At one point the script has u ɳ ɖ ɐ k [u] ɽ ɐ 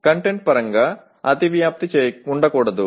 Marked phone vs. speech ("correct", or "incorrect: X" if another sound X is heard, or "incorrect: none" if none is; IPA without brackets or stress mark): incorrect: uː